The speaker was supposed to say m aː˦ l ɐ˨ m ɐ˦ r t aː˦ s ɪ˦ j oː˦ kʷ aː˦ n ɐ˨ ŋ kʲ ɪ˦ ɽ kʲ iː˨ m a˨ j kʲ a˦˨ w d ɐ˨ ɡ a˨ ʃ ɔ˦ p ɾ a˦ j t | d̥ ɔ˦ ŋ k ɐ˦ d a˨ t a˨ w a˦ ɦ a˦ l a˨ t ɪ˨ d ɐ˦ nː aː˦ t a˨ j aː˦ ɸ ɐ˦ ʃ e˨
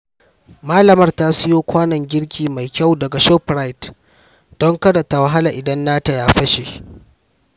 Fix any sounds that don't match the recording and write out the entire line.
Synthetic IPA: m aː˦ l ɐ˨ m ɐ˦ r t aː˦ s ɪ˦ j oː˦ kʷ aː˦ n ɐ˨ ŋ ɡʲ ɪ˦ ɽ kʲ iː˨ m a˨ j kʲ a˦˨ w d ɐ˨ ɡ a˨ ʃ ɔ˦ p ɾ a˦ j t | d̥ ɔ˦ ŋ k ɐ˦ d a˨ t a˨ w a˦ ɦ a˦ l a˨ ʔ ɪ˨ d ɐ˦ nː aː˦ t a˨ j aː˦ ɸ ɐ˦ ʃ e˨

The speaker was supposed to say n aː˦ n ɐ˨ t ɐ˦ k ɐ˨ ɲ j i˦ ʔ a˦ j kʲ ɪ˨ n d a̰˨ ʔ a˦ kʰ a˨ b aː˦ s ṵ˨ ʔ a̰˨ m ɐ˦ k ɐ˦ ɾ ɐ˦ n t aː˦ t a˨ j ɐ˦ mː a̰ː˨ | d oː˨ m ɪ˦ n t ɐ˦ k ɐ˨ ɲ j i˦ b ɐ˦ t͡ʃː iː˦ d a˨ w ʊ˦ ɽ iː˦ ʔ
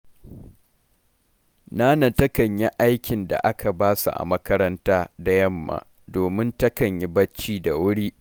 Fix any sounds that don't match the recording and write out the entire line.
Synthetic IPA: n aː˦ n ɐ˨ t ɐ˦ k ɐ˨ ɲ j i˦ ʔ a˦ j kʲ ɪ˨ n d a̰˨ ʔ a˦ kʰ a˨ b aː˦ s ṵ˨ ʔ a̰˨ m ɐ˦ k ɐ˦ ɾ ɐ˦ n t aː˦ d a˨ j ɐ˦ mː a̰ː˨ | d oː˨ m ɪ˦ n t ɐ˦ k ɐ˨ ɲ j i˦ b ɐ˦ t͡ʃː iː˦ d a˨ w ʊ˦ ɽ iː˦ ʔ

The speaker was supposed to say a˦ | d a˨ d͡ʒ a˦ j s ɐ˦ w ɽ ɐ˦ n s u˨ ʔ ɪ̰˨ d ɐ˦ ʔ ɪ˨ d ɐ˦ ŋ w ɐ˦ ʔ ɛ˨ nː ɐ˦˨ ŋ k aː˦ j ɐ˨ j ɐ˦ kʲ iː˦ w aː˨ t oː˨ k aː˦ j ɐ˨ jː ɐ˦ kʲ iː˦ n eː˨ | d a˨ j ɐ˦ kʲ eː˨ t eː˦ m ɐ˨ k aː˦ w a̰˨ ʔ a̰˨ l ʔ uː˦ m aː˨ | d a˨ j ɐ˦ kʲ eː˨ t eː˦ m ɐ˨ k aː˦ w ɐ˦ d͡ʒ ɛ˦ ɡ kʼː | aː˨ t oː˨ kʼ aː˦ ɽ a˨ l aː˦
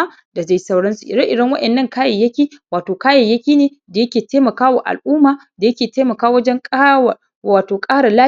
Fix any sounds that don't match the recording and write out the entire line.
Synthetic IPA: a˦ | d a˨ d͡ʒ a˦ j s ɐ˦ w ɽ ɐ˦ n s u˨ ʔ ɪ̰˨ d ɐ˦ ʔ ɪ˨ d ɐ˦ ŋ w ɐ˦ ʔ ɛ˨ nː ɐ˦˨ ŋ k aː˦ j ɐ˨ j ɐ˦ kʲ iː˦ w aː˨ t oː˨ k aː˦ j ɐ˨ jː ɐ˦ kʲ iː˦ n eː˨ | d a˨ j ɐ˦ kʲ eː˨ t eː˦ m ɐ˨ k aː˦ w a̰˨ ʔ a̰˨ l ʔ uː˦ m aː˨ | d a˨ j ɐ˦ kʲ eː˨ t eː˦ m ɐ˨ k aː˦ w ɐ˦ d͡ʒ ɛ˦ ŋ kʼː | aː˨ t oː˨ kʼ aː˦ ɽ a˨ l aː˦

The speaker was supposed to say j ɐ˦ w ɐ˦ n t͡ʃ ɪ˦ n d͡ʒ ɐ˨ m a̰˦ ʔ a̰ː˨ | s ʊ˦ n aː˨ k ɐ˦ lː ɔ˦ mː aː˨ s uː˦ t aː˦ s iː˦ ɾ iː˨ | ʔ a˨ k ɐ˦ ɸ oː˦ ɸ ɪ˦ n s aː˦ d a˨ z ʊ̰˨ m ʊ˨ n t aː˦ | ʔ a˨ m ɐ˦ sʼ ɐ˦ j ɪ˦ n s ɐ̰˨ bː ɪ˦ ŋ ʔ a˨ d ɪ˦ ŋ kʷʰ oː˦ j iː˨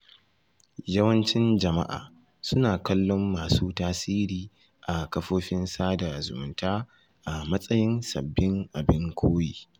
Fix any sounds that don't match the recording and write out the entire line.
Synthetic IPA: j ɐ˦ w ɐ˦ n t͡ʃ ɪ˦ n d͡ʒ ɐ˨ m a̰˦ ʔ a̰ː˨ | s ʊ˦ n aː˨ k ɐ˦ lː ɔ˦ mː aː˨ s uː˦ t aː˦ s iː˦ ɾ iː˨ | ʔ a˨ k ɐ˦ ɸ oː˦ ɸ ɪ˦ n s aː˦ d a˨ z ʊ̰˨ m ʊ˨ n t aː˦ | ʔ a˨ m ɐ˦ sʼ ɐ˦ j ɪ˦ n s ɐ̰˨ bː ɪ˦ ŋ ʔ a˨ b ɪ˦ ŋ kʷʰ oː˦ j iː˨

